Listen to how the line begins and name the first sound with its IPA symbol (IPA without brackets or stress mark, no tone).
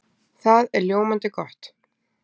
θ